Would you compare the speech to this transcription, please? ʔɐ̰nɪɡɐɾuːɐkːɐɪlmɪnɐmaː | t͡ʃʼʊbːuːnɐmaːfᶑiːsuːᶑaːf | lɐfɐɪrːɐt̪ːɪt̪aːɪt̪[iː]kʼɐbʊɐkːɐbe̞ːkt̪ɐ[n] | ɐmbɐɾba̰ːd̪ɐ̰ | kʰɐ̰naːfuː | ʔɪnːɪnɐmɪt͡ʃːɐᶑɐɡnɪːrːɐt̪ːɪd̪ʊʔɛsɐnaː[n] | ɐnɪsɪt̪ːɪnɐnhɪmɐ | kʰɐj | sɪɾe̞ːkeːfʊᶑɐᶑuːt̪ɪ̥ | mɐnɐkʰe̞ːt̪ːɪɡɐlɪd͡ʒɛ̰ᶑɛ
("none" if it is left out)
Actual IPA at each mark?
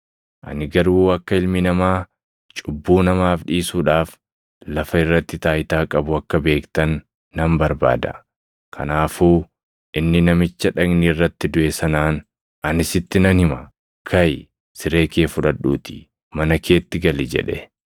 aː, nː, n

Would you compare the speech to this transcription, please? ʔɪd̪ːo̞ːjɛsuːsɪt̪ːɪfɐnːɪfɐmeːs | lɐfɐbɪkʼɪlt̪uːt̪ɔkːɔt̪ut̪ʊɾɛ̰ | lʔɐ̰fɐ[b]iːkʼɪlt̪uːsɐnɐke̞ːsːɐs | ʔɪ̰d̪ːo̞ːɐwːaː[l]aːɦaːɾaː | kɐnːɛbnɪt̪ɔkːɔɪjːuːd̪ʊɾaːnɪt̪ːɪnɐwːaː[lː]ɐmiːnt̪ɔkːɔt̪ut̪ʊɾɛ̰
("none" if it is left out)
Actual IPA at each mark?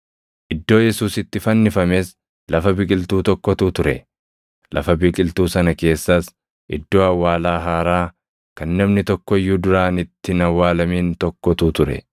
b, l, l

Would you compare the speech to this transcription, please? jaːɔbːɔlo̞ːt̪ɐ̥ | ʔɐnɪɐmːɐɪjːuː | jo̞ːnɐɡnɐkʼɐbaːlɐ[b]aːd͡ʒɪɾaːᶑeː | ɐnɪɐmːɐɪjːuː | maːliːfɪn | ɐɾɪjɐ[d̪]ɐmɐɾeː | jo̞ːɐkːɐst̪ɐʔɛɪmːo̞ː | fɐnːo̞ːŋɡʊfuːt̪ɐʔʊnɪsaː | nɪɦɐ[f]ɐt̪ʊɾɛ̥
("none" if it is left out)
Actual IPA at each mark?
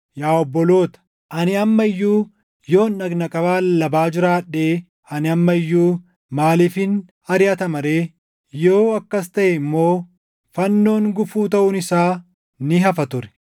b, t̪, f

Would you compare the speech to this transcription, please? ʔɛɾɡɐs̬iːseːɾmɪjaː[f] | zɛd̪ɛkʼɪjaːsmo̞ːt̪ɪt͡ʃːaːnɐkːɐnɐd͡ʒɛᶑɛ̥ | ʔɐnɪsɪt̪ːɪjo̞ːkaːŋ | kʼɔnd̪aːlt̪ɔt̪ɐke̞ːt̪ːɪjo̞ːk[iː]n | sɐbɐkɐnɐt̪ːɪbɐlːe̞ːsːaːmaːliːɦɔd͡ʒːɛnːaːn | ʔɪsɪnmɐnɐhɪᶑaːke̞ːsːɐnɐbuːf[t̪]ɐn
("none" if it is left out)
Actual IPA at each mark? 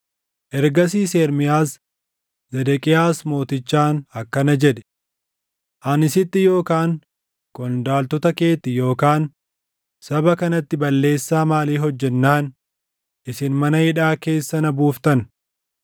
s, aː, t̪

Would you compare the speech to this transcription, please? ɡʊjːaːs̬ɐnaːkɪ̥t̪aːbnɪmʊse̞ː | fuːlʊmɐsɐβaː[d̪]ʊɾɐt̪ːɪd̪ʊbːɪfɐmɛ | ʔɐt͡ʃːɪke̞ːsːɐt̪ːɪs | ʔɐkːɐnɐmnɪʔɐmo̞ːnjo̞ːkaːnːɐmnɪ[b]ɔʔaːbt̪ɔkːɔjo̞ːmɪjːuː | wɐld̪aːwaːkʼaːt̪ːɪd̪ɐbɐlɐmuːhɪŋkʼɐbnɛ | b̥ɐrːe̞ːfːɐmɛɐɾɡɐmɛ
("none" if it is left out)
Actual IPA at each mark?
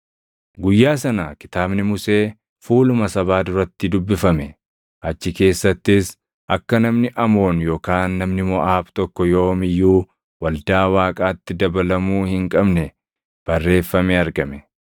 d̪, m

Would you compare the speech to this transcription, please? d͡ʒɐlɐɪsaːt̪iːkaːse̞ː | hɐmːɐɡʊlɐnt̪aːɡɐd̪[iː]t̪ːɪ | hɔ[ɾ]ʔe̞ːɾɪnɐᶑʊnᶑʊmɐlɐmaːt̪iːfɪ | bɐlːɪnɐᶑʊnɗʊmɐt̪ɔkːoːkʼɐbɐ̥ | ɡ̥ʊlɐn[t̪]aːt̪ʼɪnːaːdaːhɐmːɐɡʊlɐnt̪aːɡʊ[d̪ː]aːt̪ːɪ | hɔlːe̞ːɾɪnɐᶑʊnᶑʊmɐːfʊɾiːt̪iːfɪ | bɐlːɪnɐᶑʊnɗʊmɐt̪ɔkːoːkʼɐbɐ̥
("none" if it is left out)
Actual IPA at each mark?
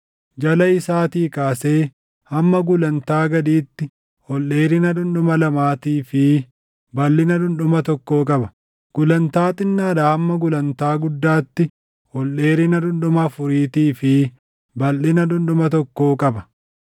iː, l, t̪, d̪ː

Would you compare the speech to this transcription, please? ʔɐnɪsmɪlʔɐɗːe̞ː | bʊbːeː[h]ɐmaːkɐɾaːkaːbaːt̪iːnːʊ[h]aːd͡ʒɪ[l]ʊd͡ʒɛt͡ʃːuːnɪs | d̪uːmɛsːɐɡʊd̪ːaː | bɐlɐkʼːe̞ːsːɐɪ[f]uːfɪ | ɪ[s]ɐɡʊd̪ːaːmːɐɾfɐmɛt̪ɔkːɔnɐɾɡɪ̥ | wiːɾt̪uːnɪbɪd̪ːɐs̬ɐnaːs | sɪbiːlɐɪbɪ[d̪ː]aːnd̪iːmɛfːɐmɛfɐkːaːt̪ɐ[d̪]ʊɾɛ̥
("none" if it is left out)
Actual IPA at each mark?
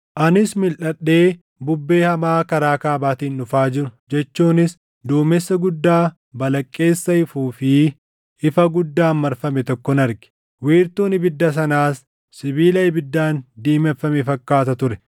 h, f, ɾ, f, f, d̪ː, t̪

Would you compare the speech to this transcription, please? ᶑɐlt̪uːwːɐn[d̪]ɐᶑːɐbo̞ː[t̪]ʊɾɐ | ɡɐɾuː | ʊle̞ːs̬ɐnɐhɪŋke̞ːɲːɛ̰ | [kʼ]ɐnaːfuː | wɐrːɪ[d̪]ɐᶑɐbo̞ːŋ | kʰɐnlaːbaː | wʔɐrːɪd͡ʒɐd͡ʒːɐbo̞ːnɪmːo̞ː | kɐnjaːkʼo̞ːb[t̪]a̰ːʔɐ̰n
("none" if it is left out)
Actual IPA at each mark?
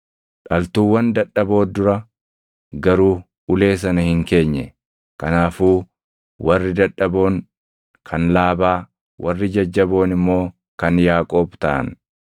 d̪, d̪, k, d̪, t̪

